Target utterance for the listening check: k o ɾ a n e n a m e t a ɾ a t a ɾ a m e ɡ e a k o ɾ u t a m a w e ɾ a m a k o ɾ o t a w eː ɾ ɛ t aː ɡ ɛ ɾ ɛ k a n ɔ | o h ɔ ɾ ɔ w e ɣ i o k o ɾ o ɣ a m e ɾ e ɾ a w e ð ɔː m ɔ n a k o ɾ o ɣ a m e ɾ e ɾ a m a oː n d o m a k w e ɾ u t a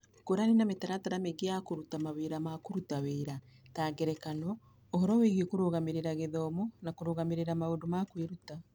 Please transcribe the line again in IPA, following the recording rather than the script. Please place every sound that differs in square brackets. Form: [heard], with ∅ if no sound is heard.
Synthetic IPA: k o ɾ a n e n a m e t a ɾ a t a ɾ a m e ɡ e a k o ɾ u t a m a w e ɾ a m a k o ɾ [u] t a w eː ɾ [a] t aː ɡ ɛ ɾ ɛ k a n ɔ | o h ɔ ɾ ɔ w e ɣ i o k o ɾ o ɣ a m e ɾ e ɾ a [ɣ] e ð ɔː m ɔ n a k o ɾ o ɣ a m e ɾ e ɾ a m a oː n d o m a k w e ɾ u t a

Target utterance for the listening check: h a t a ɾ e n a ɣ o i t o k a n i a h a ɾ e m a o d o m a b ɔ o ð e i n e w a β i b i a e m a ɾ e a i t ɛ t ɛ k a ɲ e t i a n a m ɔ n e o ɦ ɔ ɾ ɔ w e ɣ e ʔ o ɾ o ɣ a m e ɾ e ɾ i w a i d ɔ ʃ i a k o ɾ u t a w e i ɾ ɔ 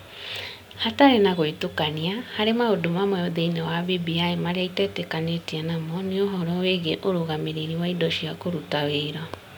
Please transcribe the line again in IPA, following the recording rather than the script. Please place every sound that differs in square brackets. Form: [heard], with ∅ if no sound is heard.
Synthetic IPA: h a t a ɾ e n a ɣ o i t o k a n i a h a ɾ e m a o d o m a [m] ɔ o ð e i n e w a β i b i a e m a ɾ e a i t ɛ t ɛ k a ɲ e t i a n a m ɔ n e o ɦ ɔ ɾ ɔ w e ɣ e ʔ o ɾ o ɣ a m e ɾ e ɾ i w a i d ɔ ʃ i a k o ɾ u t a w e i ɾ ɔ

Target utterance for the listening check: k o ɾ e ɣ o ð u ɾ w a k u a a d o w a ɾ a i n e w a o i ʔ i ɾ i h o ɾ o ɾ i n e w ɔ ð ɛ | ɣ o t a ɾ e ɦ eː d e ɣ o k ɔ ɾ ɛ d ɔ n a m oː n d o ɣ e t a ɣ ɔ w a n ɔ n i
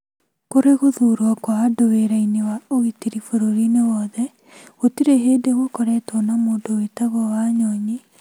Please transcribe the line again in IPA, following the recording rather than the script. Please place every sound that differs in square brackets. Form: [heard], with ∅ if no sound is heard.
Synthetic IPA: k o ɾ e ɣ o ð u ɾ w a k [w] a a d o w [e] ɾ a i n e w a o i [t] i ɾ i [f] o ɾ o ɾ i n e w ɔ ð ɛ | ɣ o t [i] ɾ e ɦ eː d e ɣ o k ɔ ɾ ɛ [t] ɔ n a m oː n d o [w] e t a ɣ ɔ w a [ɲ] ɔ [ɲ] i

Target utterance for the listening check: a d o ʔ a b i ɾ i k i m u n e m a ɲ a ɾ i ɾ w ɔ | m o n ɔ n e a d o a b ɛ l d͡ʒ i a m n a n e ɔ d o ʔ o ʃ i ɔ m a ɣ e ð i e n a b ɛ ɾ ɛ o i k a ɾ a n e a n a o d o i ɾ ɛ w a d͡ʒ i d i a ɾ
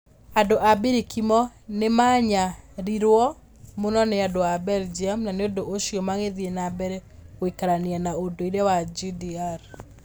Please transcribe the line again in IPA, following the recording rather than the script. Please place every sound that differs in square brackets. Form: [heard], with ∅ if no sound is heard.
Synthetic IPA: a d o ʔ a b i ɾ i k i m [ɔ] n e m a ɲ a ɾ i ɾ w ɔ | m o n ɔ n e a d o a b ɛ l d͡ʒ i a m n a n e [o] d o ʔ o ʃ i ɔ m a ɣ e ð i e n a b ɛ ɾ ɛ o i k a ɾ a n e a n a o d o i ɾ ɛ w a d͡ʒ i d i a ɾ

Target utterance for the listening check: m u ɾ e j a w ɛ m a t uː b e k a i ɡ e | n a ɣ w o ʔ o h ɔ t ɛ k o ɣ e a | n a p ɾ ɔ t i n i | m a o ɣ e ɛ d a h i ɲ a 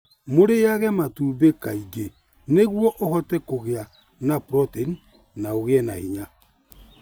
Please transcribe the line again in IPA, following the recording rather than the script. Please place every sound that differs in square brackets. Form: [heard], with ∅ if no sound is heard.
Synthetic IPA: m [o] ɾ e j a [ɣ] ɛ m a t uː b e k a i ɡ e | n [e] ɣ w [ɔ] ʔ o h ɔ t ɛ k o ɣ e a | n a p ɾ ɔ t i n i | [n] a o ɣ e ɛ [n] a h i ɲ a

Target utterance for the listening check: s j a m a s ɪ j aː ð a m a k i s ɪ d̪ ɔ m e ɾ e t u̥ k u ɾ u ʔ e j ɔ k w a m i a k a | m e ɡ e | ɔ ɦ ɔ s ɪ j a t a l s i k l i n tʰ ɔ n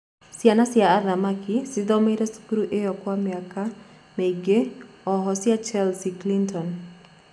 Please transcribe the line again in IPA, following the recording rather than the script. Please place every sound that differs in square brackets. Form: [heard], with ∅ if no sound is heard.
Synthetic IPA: s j a [n] a s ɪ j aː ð a m a k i s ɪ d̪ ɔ m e ɾ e [s] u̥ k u ɾ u ʔ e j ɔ k w a m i a k a | m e ɡ e | ɔ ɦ ɔ s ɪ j a [t͡ʃ] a l s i k l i n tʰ ɔ n

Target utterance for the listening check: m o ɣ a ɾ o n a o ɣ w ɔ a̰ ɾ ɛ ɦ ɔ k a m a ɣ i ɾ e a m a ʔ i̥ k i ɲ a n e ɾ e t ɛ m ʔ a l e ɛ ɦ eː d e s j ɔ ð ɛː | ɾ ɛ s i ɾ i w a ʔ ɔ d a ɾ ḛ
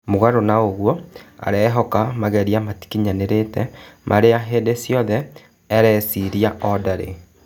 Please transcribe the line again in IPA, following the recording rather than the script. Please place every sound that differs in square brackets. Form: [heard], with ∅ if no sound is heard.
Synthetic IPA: m o ɣ a ɾ o n a o ɣ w ɔ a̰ ɾ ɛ ɦ ɔ k a m a ɣ [ɛ] ɾ [i] a m a [t] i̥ k i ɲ a n e ɾ e t ɛ m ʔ a [ɾ] e [a] ɦ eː d e s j ɔ ð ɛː | ɾ ɛ s i ɾ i [∅] a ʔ ɔ d a ɾ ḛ

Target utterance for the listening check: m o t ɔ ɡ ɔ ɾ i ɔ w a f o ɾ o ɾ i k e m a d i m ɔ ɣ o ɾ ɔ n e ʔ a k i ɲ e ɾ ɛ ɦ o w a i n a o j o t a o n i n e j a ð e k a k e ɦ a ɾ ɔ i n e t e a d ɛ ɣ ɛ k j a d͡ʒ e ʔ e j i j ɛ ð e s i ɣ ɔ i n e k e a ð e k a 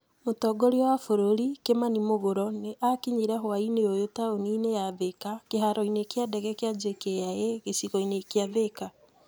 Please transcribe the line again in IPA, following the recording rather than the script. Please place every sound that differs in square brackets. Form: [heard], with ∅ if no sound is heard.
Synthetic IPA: m o t ɔ ɡ ɔ ɾ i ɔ w a f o ɾ o ɾ i k e m a [n] i m [o] ɣ o ɾ ɔ n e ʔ a k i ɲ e ɾ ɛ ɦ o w a i n [e] o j o t a o n i n e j a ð e k a k e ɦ a ɾ ɔ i n e [k] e a d ɛ ɣ ɛ k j a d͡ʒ e [k] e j [a] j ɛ [ɣ] e s i ɣ ɔ i n e k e a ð e k a

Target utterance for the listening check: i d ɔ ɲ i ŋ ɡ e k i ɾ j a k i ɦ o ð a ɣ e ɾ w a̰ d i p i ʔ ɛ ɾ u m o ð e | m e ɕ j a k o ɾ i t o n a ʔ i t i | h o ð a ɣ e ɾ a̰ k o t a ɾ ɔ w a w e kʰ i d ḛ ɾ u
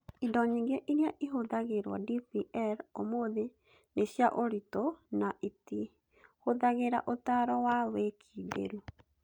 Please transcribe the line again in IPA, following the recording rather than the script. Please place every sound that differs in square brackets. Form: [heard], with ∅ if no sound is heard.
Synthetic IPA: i d ɔ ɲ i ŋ ɡ e [ʔ] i ɾ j a [ʔ] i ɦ o ð a ɣ e ɾ w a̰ d i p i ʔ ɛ ɾ [o] m o ð e | [n] e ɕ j a [ʔ] o ɾ i t o n a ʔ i t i | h o ð a ɣ e ɾ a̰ [ʔ] o t a ɾ ɔ w a w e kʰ i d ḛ ɾ u

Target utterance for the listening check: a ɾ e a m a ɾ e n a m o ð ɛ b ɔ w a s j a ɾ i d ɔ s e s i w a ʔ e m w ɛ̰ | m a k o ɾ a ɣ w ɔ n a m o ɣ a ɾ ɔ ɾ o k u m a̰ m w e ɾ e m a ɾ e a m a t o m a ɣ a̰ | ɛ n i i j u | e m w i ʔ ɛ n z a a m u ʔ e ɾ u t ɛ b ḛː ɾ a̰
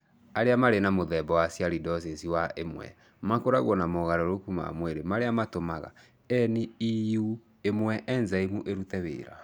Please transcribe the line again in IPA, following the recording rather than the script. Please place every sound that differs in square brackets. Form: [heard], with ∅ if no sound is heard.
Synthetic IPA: a ɾ e a m a ɾ e n a m o ð ɛ b ɔ w a s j a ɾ i d ɔ s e s i w a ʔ e m w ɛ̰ | m a k o ɾ a ɣ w ɔ n a m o ɣ a ɾ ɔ ɾ o k u m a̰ m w e ɾ e m a ɾ e a m a t o m a ɣ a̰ | ɛ n i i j u | e m w [ɛ] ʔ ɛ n z a [i] m u ʔ e ɾ u t ɛ [β] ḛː ɾ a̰

